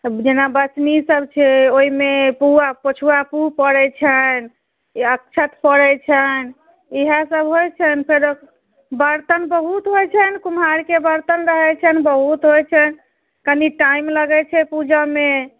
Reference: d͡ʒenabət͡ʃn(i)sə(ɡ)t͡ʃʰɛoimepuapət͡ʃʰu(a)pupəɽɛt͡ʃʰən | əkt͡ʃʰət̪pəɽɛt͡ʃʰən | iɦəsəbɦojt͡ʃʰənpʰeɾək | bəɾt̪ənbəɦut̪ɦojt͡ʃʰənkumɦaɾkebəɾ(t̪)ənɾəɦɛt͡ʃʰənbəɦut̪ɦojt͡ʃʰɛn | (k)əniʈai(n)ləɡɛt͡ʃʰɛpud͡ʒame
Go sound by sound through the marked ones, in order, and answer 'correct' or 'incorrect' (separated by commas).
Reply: correct, incorrect, correct, correct, correct, incorrect